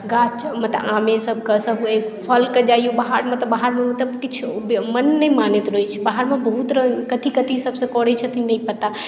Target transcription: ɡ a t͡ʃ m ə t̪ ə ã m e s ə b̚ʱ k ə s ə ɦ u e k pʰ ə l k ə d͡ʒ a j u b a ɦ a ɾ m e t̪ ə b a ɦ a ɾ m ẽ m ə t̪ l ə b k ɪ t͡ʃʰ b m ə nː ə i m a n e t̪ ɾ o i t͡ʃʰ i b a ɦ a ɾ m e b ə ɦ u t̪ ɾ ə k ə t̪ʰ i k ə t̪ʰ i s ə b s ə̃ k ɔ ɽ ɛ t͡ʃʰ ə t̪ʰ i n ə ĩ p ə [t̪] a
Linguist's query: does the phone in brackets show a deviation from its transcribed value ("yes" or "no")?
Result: no